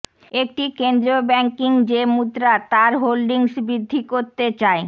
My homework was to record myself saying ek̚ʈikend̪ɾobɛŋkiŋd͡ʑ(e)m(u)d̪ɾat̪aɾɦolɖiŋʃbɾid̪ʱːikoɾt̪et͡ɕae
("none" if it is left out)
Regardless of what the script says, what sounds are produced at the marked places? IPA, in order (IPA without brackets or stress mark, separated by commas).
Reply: e, u